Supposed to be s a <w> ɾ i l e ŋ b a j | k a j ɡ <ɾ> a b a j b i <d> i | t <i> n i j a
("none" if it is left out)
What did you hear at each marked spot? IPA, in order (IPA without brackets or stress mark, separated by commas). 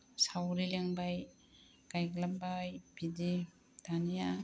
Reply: w, l, d, a